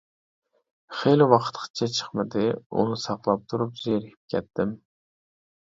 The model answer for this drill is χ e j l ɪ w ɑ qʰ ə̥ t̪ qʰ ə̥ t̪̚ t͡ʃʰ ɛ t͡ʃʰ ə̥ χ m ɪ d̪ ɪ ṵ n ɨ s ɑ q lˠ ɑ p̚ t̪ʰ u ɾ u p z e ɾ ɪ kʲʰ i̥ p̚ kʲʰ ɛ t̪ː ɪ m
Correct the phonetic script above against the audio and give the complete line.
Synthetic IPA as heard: χ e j l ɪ w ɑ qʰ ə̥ t̪ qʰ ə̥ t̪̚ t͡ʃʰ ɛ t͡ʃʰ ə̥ χ m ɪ d̪ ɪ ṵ n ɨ s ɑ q lˠ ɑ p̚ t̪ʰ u ɾ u p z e ɾ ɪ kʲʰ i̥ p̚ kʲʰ ɛ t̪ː ɪ m